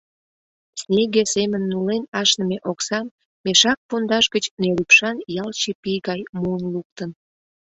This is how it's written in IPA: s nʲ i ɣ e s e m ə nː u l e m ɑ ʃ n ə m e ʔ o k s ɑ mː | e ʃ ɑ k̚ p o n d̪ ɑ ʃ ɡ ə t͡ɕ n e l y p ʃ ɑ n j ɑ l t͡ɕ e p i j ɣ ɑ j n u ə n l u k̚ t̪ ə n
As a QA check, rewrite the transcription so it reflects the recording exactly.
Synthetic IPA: s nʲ e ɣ e s e m ə nː u l e n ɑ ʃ n ə m e ʔ o k s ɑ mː | e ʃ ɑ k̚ p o n d̪ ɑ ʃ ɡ ə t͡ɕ n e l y p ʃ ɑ n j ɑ l t͡ɕ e p i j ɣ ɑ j m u ə n l u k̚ t̪ ə n